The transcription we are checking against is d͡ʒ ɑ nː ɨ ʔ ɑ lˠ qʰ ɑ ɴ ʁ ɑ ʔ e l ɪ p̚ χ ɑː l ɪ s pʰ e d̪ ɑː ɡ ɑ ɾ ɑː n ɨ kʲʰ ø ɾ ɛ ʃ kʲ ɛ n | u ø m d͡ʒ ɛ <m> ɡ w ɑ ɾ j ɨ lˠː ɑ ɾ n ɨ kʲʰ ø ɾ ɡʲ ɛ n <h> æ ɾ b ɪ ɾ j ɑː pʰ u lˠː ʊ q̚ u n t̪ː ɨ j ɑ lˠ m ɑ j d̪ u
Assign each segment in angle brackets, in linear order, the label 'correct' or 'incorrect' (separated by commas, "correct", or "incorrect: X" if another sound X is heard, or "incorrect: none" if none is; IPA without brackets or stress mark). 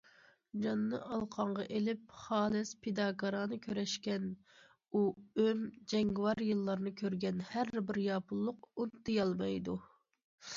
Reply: incorrect: ŋ, correct